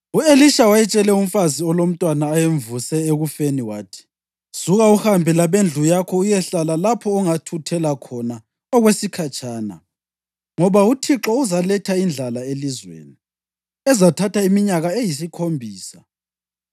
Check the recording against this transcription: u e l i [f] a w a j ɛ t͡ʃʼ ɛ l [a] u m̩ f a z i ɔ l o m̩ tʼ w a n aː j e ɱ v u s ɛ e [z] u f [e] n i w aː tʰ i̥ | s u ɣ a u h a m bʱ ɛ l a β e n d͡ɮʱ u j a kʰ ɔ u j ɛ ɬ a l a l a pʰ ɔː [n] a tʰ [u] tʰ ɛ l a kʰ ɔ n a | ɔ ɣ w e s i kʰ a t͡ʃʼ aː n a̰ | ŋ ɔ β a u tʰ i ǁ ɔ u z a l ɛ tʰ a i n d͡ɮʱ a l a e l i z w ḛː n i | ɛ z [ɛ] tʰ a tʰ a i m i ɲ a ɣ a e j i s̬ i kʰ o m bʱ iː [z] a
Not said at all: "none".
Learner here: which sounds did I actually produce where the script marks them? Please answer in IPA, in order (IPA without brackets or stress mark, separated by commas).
ʃ, ɛ, ɣ, e, ŋ, u, a, s